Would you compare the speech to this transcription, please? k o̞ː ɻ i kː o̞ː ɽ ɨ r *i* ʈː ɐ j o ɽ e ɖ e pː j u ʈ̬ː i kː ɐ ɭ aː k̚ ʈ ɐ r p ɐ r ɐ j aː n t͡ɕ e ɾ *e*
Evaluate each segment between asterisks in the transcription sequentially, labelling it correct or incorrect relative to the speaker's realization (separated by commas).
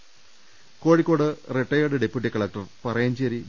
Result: incorrect, incorrect